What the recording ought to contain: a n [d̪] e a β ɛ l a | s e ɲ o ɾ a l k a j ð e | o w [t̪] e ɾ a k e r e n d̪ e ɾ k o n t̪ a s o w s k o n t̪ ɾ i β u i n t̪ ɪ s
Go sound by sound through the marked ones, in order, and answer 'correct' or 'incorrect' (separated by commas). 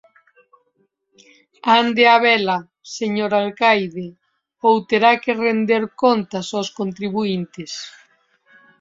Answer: correct, correct